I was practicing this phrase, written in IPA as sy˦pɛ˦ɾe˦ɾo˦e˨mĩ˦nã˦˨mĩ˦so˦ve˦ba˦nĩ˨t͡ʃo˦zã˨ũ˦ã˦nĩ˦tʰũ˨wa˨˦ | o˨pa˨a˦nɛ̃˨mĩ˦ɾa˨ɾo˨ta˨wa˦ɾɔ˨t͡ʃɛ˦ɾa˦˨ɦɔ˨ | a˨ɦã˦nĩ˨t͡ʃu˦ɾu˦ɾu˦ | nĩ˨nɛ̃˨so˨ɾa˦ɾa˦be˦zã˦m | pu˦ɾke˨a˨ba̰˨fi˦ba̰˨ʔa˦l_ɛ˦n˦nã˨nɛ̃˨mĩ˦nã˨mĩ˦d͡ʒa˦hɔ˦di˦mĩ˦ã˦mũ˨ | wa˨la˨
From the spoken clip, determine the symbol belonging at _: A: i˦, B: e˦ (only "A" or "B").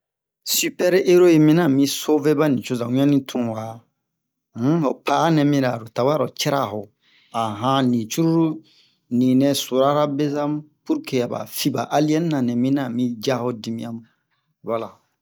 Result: A